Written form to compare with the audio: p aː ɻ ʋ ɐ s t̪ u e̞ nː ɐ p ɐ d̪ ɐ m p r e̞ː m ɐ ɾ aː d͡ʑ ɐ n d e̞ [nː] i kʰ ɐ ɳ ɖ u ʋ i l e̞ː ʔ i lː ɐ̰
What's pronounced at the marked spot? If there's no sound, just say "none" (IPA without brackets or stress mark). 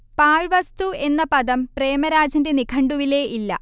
n